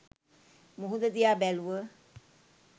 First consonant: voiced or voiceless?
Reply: voiced